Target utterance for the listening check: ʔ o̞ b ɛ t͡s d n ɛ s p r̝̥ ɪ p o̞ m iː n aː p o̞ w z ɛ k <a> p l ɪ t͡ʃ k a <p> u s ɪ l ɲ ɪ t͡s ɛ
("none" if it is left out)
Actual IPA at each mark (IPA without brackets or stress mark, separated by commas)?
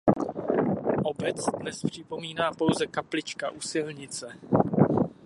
a, ʔ